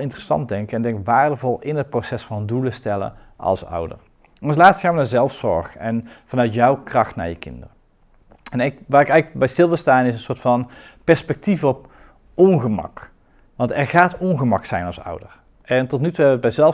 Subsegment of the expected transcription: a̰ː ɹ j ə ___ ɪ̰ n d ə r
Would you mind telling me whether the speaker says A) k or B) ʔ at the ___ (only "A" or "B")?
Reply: A